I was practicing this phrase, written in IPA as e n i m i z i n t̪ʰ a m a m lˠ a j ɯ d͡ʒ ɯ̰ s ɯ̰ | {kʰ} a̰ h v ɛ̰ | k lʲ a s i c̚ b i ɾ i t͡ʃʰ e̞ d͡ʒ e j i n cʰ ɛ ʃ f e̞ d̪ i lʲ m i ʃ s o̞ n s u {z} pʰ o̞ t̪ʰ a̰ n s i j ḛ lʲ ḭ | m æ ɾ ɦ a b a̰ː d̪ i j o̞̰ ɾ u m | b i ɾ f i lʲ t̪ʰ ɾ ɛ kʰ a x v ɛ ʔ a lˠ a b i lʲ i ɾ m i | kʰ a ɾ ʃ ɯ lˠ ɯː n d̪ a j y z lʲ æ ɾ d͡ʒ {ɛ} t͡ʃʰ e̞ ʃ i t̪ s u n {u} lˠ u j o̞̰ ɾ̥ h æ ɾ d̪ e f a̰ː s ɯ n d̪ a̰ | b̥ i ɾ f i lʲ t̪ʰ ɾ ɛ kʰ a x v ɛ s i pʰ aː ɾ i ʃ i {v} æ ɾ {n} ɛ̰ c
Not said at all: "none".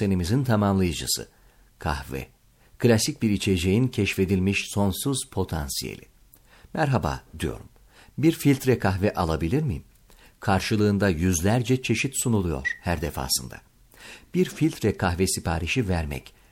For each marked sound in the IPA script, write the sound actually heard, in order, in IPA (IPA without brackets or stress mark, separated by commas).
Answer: kʰ, z, ɛ, u, v, m